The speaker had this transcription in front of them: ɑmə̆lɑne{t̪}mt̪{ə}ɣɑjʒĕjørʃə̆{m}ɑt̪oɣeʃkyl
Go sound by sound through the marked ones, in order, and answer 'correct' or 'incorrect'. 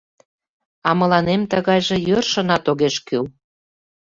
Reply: incorrect: none, correct, incorrect: n

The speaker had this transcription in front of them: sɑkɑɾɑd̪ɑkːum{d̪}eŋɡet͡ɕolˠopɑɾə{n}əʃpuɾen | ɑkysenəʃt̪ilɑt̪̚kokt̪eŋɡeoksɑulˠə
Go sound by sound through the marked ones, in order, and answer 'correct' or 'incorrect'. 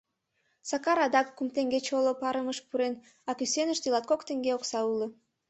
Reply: incorrect: t̪, incorrect: m

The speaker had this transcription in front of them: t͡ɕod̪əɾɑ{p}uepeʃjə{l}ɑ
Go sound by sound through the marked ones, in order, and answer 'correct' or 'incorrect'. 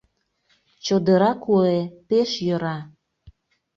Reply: incorrect: k, incorrect: ɾ

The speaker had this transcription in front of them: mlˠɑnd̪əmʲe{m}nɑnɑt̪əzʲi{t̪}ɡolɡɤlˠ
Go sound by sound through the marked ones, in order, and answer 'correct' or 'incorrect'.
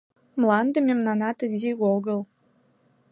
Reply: correct, incorrect: none

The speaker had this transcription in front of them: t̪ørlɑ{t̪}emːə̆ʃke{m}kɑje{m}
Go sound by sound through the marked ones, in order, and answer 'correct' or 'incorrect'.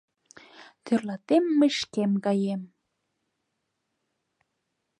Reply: correct, correct, correct

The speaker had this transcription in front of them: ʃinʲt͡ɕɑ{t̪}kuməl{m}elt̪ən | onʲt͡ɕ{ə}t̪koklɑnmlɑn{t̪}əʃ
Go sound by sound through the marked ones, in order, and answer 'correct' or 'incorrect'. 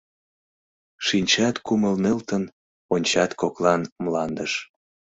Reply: correct, incorrect: n, incorrect: ɑ, incorrect: d̪

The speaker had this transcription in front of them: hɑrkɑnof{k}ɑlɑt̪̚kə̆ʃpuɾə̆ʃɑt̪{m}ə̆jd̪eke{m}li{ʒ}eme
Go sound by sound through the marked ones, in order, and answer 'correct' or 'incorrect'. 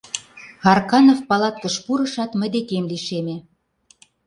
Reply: incorrect: p, correct, correct, incorrect: ʃ

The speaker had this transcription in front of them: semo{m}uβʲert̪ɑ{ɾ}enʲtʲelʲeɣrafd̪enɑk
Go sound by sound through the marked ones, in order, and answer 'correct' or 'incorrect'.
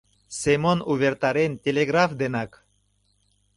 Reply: incorrect: n, correct

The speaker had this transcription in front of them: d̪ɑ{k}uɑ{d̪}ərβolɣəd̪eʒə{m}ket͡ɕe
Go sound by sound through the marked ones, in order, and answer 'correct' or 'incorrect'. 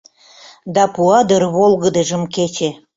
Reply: incorrect: p, correct, correct

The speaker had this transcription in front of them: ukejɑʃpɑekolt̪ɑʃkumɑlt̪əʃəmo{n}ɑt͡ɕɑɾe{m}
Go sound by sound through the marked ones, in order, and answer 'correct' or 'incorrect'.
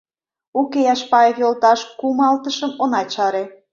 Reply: correct, incorrect: none

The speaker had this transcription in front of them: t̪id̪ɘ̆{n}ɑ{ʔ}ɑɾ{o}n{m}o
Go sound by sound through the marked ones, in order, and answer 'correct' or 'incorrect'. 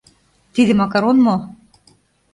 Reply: incorrect: m, incorrect: k, correct, correct

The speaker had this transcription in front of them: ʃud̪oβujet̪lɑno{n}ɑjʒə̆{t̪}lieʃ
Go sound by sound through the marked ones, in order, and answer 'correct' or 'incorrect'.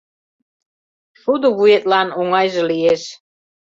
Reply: incorrect: ŋ, incorrect: none

